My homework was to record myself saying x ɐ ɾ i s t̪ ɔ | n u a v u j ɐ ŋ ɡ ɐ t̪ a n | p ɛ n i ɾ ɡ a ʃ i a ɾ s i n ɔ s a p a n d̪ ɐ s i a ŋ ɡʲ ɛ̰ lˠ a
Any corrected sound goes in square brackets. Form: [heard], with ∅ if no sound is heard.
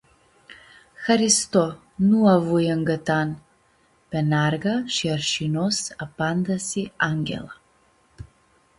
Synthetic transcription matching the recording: x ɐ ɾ i s t̪ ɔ | n u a v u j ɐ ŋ ɡ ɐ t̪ a n | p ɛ n [a] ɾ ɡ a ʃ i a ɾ [ʃ] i n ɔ s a p a n d̪ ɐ s i a ŋ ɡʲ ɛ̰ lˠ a